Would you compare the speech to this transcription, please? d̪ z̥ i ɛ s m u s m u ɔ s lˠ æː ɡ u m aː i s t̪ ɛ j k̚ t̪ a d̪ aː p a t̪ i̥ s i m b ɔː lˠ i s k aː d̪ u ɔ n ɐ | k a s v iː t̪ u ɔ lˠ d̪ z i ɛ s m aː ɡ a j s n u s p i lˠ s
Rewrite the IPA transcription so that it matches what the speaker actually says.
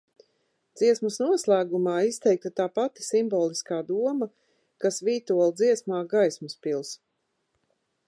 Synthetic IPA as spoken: d̪ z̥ i ɛ s m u s n u ɔ s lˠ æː ɡ u m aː i s t̪ ɛ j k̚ t̪ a t̪ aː p a t̪ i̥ s i m b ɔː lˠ i s k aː d̪ u ɔ m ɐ | k a s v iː t̪ u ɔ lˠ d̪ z i ɛ s m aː ɡ a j s m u s p i lˠ s